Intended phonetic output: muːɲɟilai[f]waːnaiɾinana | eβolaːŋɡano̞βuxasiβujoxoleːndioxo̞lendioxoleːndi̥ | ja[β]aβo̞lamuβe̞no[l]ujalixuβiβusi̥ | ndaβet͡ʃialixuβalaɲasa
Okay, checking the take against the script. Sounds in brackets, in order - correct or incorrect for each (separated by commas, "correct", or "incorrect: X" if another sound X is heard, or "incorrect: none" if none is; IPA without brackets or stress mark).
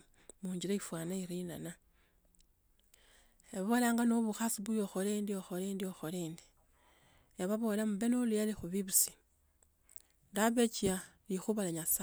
correct, correct, correct